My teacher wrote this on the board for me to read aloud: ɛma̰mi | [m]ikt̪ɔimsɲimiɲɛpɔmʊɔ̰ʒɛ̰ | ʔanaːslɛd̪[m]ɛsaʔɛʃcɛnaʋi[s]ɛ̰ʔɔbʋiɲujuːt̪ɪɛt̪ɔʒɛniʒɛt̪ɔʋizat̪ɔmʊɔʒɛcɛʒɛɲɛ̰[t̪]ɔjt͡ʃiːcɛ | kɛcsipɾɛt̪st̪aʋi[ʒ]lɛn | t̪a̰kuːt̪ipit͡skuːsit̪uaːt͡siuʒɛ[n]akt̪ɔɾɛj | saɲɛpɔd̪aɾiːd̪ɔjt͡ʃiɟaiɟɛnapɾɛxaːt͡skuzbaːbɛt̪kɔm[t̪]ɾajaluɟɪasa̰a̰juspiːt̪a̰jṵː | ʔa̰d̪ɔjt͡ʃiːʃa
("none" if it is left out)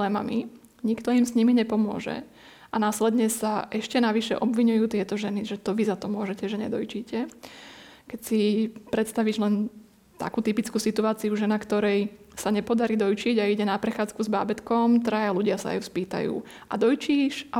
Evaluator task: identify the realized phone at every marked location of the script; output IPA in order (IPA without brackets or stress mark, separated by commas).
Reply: ɲ, ɲ, ʃ, d̪, ʒ, n, t̪